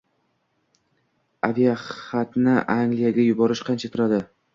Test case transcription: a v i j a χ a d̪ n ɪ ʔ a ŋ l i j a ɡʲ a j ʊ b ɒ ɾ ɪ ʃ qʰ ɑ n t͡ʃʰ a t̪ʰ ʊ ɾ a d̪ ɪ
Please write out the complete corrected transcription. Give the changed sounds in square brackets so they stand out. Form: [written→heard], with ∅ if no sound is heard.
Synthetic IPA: a v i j a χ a [d̪→t̪] n ɪ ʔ a ŋ l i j a ɡʲ a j ʊ b ɒ ɾ ɪ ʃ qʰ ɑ n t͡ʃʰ a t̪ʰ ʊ ɾ a d̪ ɪ